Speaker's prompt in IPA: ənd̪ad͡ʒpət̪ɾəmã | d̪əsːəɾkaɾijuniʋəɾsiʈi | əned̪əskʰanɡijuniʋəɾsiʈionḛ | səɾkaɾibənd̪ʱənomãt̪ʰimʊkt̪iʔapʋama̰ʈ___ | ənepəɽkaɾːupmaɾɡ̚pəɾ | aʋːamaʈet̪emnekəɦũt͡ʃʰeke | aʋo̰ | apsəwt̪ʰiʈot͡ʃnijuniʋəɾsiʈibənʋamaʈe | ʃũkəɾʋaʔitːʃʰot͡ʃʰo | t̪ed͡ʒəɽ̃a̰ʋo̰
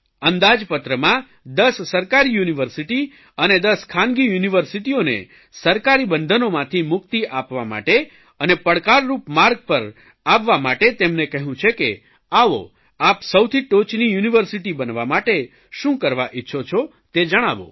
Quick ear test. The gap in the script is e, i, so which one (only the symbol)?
e